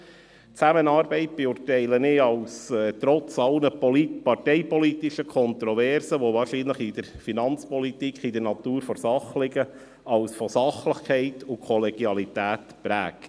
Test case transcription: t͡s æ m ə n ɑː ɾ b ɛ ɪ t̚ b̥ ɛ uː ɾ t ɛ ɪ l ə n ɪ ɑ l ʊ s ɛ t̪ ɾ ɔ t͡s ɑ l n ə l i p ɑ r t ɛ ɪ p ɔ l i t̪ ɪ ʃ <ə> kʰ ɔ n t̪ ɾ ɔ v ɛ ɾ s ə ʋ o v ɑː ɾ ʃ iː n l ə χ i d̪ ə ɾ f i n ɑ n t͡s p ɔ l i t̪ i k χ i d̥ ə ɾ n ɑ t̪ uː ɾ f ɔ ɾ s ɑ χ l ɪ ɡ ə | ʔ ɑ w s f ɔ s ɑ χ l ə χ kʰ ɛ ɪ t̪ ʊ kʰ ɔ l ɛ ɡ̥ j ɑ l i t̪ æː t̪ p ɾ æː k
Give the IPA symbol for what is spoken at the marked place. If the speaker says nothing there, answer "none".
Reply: ə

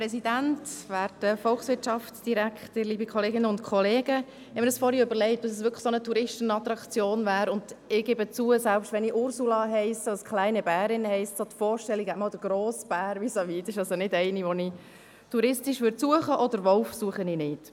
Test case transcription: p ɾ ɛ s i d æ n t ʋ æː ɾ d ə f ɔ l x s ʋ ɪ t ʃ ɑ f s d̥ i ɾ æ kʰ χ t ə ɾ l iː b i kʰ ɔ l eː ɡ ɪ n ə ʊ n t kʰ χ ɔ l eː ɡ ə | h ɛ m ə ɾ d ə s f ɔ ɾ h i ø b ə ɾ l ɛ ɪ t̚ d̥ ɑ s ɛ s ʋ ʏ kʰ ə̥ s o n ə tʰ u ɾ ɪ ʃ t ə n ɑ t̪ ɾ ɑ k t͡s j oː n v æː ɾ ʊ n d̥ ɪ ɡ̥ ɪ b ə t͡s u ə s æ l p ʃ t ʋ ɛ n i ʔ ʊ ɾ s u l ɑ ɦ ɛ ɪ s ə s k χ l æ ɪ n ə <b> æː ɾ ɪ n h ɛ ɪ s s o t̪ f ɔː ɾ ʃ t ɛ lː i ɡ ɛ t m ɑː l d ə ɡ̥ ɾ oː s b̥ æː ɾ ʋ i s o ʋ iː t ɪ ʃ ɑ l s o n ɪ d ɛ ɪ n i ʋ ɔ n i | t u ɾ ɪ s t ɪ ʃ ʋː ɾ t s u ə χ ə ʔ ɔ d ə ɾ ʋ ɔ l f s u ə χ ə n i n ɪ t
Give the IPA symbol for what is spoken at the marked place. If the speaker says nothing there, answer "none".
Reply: b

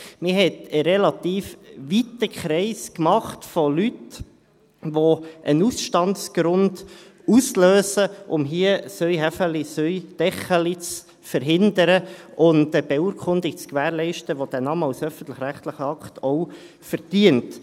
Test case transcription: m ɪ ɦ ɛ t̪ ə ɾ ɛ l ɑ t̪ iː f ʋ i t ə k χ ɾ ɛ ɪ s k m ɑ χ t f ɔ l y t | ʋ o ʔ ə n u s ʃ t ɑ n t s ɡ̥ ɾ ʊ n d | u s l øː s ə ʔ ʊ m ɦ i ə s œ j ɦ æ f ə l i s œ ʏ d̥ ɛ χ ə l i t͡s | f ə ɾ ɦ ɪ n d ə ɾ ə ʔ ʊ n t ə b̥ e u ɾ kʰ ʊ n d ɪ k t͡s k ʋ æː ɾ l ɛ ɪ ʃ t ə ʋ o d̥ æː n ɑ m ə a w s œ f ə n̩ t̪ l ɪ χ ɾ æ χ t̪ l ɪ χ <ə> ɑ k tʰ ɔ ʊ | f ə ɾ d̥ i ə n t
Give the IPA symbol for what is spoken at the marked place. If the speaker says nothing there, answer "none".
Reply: ə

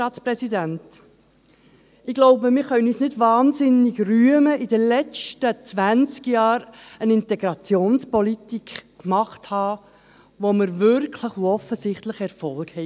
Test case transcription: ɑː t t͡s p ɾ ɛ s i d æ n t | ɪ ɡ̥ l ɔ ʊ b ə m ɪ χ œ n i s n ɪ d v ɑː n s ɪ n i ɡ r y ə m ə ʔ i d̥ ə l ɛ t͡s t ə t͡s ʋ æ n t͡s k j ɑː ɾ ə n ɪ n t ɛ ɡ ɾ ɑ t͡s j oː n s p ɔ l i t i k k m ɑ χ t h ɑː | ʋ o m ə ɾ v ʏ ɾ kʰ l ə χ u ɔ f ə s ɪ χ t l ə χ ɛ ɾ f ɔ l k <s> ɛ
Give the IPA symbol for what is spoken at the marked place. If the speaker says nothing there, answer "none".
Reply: h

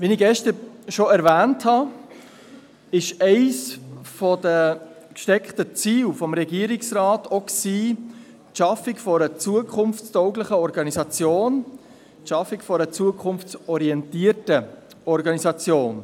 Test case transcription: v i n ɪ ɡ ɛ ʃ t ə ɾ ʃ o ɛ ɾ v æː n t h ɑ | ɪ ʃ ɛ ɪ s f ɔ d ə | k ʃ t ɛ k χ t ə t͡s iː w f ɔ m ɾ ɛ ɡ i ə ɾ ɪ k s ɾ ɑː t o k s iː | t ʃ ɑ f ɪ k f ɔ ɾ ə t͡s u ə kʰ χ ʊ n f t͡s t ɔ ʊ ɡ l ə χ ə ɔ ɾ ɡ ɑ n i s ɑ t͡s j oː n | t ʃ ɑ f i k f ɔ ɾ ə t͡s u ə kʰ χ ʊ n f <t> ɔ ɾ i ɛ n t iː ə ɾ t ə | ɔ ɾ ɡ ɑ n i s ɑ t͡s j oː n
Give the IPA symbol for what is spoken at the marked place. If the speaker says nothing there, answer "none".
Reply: t͡s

